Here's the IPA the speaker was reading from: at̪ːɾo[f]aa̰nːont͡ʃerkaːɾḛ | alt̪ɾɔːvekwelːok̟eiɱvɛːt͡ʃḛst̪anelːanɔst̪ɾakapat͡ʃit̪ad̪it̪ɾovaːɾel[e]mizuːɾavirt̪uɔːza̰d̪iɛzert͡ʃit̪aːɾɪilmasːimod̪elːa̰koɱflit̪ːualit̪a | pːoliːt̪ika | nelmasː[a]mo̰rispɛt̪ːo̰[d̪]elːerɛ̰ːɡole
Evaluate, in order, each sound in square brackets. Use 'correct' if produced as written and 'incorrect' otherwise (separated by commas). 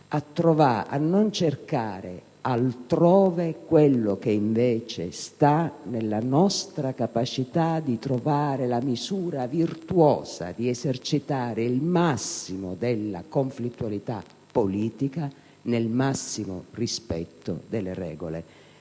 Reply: incorrect, incorrect, incorrect, correct